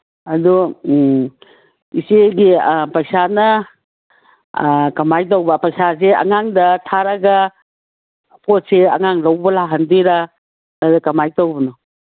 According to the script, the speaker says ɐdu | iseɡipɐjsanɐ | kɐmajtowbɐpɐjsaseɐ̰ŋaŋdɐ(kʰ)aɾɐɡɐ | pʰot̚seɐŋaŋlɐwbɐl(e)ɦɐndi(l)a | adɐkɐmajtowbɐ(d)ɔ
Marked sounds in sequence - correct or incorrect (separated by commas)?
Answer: incorrect, incorrect, incorrect, incorrect